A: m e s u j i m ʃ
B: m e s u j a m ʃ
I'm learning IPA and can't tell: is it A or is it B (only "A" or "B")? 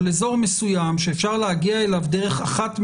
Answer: B